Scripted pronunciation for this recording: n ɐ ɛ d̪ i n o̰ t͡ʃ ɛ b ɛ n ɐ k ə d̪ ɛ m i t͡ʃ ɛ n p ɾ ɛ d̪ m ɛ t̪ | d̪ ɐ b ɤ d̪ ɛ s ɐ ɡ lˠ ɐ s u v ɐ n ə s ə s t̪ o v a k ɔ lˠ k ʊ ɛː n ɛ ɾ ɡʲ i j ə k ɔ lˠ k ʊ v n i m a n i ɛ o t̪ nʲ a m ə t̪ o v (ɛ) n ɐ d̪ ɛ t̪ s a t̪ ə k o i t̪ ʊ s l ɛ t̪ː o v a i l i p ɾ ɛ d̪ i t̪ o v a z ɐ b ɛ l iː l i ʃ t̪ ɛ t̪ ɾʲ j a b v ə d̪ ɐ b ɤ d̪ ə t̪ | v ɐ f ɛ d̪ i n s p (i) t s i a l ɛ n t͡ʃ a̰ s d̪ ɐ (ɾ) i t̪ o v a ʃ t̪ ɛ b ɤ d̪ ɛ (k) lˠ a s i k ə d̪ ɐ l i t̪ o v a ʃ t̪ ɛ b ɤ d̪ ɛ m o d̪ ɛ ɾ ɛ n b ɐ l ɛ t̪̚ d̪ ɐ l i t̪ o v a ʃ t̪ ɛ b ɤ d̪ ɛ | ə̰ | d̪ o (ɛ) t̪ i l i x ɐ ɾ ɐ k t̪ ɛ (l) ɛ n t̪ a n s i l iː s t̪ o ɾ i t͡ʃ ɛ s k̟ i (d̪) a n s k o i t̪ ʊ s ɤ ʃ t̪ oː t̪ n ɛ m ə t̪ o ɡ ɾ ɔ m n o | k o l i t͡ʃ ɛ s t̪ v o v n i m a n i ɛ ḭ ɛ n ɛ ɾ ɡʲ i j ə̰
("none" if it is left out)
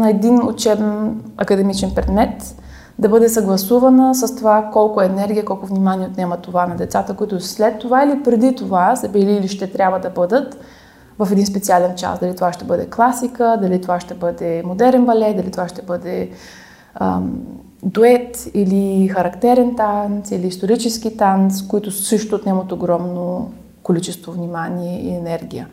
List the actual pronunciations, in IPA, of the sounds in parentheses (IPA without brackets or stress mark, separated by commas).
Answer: a, ɛ, l, k, ɛ, ɾ, t̪